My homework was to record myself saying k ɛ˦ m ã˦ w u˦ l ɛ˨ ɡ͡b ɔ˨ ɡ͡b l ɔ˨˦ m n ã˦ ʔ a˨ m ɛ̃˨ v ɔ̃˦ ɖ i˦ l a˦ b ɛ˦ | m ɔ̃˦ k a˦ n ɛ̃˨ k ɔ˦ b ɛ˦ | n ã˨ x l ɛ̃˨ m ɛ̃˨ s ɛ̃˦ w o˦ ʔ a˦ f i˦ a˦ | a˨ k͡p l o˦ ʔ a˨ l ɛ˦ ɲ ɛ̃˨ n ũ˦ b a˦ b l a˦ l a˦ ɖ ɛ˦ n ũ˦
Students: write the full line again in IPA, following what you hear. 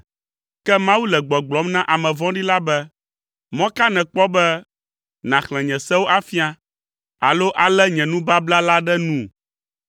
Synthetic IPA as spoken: k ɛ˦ m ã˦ w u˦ l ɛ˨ ɡ͡b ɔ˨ ɡ͡b l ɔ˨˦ m n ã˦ ʔ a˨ m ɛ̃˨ v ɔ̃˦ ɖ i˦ l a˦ b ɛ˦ | m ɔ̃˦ k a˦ n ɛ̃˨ k͡p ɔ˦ b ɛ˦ | n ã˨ x l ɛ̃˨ ɲ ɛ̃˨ s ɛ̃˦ w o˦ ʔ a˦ f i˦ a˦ | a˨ l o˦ ʔ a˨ l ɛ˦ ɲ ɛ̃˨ n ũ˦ b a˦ b l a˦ l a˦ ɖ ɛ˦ n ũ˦